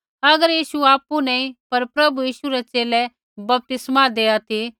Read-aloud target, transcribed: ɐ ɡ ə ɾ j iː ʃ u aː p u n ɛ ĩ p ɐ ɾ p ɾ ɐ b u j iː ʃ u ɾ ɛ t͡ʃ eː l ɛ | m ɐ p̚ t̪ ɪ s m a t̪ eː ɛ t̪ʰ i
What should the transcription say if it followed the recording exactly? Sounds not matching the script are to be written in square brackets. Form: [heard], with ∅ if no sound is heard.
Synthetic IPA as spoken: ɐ ɡ ə ɾ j iː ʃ u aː p u n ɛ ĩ p ɐ ɾ p ɾ ɐ b u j iː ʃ u ɾ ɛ t͡ʃ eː l ɛ | [b] ɐ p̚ t̪ ɪ s m a [d̪] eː [a] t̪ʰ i